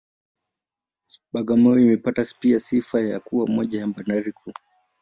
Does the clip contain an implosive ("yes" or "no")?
yes